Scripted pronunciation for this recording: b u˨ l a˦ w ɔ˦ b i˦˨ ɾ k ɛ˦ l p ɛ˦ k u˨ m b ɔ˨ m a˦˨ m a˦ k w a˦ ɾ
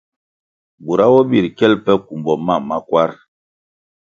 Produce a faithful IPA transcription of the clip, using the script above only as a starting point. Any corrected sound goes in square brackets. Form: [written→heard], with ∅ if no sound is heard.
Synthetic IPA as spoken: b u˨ [l→ɾ] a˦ w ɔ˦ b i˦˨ ɾ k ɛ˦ l p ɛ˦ k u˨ m b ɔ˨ m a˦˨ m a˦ k w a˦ ɾ